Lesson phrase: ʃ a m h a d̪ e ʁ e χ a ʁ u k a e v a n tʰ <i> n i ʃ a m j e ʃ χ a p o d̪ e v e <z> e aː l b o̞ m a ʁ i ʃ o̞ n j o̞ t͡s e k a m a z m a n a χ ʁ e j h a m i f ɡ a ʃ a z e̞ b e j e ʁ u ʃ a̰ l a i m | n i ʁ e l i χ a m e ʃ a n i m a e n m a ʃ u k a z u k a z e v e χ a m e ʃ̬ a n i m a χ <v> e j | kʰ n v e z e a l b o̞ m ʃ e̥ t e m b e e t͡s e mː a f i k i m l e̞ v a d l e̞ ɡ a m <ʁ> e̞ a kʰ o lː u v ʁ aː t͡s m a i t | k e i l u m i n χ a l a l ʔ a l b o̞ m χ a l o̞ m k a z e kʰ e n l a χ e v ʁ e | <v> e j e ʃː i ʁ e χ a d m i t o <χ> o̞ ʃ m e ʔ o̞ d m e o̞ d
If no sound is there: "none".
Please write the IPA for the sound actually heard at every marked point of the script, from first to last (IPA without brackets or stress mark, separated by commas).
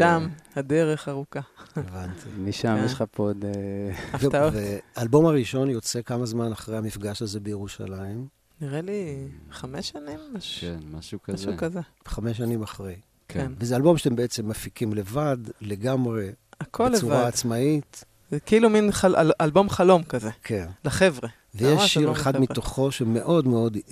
i, v, ʁ, ʁ, v, χ